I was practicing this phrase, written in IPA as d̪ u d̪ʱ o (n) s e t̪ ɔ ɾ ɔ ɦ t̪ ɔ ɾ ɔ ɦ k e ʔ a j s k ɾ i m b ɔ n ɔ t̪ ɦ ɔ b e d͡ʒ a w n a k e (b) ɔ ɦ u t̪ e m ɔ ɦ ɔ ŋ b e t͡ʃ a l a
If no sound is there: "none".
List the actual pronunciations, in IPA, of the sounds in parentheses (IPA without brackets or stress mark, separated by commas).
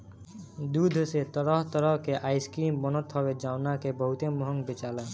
none, b